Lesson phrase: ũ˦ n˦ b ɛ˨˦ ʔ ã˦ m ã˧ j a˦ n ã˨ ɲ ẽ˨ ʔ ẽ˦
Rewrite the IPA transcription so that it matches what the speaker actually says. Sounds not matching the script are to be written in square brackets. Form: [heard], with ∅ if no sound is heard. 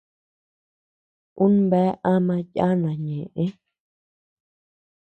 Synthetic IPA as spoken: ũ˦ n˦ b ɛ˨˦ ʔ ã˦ m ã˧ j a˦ n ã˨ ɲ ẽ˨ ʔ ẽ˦